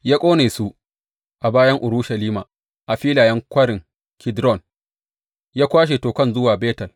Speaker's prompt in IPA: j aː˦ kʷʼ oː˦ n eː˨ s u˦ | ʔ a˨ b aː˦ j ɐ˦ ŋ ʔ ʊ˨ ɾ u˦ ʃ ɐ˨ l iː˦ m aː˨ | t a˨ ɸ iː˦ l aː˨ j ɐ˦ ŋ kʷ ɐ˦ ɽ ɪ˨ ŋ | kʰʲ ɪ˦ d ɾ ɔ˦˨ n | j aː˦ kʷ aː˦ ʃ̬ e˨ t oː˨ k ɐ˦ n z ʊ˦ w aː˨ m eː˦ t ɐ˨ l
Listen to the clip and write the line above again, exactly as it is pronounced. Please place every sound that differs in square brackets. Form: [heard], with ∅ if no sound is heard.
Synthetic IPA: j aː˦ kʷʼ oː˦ n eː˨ s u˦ | ʔ a˨ b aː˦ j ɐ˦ ŋ ʔ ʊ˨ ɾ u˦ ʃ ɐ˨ l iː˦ m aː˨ | [ʔ] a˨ ɸ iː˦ l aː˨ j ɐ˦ ŋ kʷ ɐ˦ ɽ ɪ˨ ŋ | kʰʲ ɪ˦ d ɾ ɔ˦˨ n | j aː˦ kʷ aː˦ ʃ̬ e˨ t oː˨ k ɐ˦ n z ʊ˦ w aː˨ [b] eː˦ t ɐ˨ l